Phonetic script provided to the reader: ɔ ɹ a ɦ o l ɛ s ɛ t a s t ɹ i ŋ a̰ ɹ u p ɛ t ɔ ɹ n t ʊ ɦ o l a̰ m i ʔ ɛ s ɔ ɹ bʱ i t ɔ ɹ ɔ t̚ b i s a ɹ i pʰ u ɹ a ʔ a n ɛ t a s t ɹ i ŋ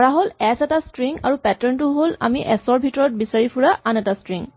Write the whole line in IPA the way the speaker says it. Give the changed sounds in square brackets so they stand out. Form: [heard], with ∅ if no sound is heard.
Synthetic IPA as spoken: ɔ ɹ a ɦ o l ɛ s ɛ t a s t ɹ i ŋ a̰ ɹ u p ɛ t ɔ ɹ n t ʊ ɦ o l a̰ m i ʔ ɛ s ɔ ɹ bʱ i t ɔ ɹ ɔ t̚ b i s a ɹ i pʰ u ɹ a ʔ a n ɛ t a s t ɹ i ŋ